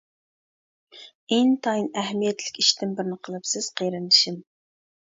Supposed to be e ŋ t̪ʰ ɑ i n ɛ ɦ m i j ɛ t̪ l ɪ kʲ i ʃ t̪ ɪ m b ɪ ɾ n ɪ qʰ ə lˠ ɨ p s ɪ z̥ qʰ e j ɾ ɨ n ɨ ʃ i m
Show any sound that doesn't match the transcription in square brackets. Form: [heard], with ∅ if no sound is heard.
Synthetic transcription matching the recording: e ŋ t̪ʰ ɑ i n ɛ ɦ m i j ɛ t̪ l ɪ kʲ i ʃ t̪ ɪ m b ɪ ɾ n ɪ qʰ ə lˠ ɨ p s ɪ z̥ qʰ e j ɾ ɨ n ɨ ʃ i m